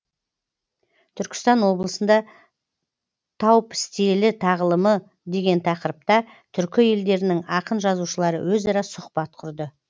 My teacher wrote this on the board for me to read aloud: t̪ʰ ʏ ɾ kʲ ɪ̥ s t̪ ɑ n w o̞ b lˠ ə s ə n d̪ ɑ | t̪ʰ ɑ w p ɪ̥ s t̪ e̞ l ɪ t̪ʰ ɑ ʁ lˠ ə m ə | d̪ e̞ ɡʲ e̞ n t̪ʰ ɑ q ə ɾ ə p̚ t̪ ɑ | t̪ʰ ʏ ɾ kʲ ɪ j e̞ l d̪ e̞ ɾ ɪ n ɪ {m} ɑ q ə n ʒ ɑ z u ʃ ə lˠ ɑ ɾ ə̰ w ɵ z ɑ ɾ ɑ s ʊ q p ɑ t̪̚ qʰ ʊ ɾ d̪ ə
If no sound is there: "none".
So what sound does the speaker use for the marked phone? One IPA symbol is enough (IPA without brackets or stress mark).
ŋ